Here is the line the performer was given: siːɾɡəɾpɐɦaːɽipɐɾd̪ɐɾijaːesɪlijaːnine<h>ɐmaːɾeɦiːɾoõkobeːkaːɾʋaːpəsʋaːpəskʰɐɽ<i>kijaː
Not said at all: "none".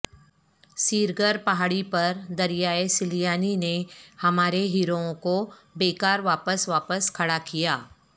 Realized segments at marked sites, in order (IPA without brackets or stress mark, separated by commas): h, a